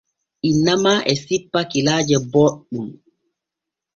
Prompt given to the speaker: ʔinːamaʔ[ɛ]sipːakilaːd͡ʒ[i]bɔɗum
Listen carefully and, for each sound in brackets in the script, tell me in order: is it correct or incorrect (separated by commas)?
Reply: correct, incorrect